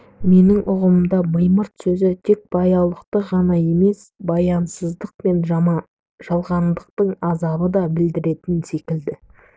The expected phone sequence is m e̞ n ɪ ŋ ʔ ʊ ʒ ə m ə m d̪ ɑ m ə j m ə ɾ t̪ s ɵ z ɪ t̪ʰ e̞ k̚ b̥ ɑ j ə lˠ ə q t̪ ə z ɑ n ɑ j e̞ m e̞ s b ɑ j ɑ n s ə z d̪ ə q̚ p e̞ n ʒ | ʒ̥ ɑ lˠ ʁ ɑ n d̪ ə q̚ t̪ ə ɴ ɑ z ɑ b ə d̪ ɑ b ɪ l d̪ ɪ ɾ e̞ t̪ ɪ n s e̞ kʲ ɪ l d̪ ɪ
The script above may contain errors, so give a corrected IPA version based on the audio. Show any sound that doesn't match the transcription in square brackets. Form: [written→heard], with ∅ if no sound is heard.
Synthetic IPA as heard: m e̞ n ɪ ŋ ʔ ʊ [ʒ→ʁ] ə m ə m d̪ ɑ m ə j m ə ɾ t̪ s ɵ z ɪ t̪ʰ e̞ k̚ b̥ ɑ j [ə→ɑ] lˠ ə q t̪ ə [z→ʁ] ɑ n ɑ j e̞ m e̞ s b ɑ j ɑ n s ə z d̪ ə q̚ p e̞ n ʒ | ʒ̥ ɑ lˠ ʁ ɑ n d̪ ə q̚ t̪ ə ɴ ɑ z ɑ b ə d̪ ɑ b ɪ l d̪ ɪ ɾ e̞ t̪ ɪ n s e̞ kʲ ɪ l d̪ ɪ